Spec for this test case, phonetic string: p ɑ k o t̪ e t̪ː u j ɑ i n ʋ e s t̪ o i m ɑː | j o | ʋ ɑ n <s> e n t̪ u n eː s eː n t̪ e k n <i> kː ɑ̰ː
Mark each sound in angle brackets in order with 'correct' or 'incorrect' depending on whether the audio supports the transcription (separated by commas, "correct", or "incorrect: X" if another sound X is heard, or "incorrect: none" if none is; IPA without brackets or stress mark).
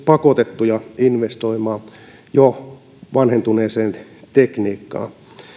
incorrect: h, incorrect: iː